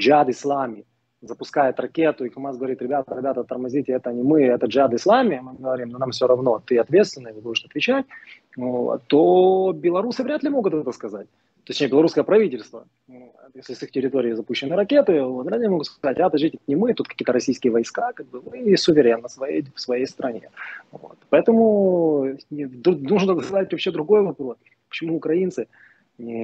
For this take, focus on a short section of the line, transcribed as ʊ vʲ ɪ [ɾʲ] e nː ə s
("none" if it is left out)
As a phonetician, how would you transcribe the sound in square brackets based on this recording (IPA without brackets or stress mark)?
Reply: ɾʲ